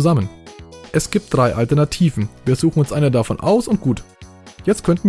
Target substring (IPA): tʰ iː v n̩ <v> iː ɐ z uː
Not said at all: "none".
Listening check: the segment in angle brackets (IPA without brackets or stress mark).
v